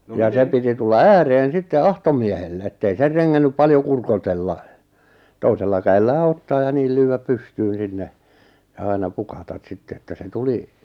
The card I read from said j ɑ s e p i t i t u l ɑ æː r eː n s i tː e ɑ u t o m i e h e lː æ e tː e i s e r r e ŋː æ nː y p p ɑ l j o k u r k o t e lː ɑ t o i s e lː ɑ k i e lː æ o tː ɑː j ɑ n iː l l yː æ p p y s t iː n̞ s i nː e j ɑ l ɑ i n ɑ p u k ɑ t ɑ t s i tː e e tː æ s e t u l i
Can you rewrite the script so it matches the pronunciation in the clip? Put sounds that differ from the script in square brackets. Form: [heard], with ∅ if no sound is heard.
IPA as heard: j ɑ s e p i t i t u [lː] ɑ æː r eː n s i tː e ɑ u t o m i e h e lː [e] e tː e i s e r r e ŋː æ nː y p p ɑ l j o k u r k o t e lː ɑ t o i s e lː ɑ k [æ] e lː [æː] o tː ɑː j ɑ n iː l l yː æ p p y s t [yː] n̞ s i nː e j ɑ [∅] ɑ i n ɑ p u k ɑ t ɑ t s i tː e e tː æ s e t u l i